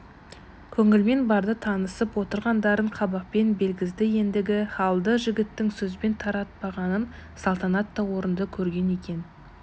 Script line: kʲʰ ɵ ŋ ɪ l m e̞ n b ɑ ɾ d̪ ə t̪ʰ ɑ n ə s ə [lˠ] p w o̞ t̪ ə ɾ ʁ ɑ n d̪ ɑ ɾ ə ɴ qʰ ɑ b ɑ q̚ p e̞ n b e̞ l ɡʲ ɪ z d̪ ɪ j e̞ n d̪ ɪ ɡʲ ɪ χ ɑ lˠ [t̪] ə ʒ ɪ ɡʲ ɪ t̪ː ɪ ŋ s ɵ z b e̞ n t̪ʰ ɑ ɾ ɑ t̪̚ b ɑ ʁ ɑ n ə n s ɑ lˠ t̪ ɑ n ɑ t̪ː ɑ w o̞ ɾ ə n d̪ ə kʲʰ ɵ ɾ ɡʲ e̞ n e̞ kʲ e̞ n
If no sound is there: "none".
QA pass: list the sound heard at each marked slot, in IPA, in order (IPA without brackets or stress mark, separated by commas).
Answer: none, d̪